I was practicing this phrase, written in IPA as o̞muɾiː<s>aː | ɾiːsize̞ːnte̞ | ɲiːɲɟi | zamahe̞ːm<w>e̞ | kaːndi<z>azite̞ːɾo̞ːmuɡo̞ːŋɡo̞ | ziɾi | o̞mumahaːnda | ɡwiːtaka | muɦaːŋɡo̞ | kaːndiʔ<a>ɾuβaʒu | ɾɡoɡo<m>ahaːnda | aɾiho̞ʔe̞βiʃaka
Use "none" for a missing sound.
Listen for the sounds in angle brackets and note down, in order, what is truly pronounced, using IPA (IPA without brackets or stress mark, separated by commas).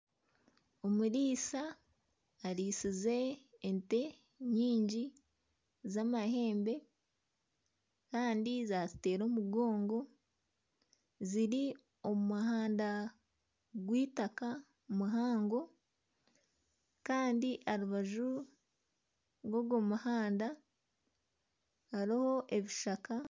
s, b, z, a, m